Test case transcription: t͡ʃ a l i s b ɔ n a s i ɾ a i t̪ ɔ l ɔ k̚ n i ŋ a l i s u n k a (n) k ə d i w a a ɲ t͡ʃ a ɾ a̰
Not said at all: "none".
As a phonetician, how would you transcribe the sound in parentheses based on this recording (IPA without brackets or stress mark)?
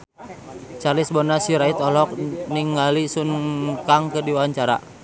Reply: ŋ